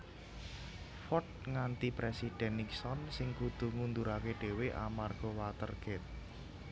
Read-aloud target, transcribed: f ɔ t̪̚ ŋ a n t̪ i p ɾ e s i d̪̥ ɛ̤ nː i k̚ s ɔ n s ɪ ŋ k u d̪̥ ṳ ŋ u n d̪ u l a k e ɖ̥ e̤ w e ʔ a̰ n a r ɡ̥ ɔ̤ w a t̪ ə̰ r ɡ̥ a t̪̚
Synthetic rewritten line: f ɔ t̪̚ ŋ a n t̪ i p ɾ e s i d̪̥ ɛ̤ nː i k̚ s ɔ n s ɪ ŋ k u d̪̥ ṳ ŋ u n d̪ u ɾ a k e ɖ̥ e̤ w e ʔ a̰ m a r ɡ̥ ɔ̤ w a t̪ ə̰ r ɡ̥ ɛ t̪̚